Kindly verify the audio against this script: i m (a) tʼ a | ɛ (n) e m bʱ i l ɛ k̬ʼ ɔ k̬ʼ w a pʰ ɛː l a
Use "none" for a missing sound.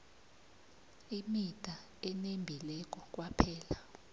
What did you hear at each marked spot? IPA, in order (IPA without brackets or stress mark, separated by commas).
i, n